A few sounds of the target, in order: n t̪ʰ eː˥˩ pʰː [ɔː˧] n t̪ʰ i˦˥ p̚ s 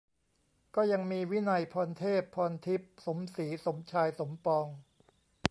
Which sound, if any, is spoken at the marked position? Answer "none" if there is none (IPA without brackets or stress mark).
ɔː˧